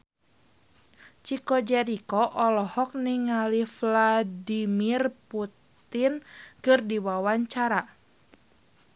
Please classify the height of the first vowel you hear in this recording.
high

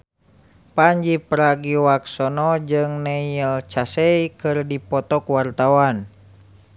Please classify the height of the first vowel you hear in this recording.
low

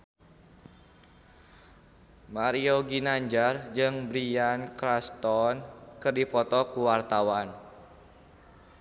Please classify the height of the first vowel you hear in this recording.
low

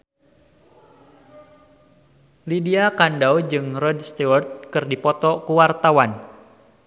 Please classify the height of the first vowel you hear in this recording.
high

